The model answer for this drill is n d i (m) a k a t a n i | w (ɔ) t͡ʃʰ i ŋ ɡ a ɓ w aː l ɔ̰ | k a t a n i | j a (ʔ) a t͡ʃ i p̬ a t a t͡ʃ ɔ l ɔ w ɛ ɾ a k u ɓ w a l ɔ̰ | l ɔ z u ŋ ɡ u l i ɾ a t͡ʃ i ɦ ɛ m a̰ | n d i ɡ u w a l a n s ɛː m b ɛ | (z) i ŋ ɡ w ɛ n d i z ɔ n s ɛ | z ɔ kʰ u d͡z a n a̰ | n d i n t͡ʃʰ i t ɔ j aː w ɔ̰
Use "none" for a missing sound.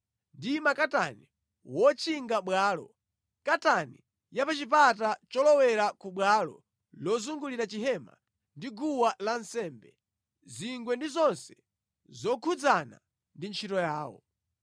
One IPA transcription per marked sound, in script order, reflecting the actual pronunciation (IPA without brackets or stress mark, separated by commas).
m, ɔ, p, z